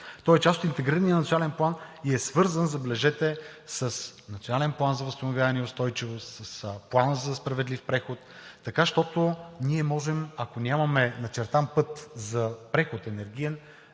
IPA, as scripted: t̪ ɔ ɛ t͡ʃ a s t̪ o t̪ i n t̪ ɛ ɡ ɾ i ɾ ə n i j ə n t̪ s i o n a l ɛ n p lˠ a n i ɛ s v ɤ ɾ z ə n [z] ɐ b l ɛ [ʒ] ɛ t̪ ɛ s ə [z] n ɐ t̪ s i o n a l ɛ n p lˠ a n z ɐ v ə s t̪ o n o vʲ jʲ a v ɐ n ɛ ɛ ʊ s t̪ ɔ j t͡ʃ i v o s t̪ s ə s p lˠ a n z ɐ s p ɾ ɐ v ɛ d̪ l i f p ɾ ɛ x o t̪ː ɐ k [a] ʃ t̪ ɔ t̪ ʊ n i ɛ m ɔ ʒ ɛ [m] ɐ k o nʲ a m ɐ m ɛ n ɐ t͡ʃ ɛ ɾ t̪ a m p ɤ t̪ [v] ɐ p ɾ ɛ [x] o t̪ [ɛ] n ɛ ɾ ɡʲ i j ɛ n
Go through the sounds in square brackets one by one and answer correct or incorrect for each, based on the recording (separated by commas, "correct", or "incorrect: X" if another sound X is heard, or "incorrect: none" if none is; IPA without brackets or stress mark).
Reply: correct, correct, incorrect: s, correct, correct, incorrect: z, correct, correct